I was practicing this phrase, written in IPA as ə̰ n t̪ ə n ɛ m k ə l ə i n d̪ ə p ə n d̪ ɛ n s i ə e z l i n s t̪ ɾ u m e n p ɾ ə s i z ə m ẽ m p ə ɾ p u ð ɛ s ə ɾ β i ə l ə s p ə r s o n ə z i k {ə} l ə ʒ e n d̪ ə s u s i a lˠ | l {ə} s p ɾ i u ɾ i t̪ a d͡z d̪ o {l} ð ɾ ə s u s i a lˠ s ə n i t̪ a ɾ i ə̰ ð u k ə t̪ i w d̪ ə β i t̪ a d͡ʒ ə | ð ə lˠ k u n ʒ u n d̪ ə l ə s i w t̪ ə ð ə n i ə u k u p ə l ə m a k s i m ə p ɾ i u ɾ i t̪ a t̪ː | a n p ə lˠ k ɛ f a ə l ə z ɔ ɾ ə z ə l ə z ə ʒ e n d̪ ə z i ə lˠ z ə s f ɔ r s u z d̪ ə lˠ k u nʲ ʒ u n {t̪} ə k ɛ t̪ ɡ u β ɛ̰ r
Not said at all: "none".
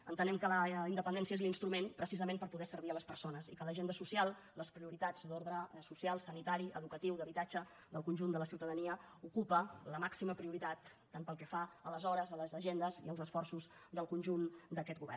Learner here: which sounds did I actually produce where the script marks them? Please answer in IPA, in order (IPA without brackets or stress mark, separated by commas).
ə, ə, ɾ, d̪